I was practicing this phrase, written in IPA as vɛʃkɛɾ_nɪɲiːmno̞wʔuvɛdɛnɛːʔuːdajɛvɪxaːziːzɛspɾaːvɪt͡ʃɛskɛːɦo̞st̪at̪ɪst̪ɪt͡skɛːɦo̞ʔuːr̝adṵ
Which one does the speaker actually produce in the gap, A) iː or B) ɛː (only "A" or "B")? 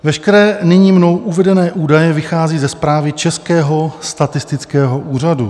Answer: B